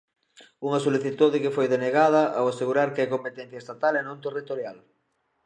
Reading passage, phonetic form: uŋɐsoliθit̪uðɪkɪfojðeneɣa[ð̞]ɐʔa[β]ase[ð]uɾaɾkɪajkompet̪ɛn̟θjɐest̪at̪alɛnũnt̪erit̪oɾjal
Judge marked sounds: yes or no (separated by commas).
yes, no, no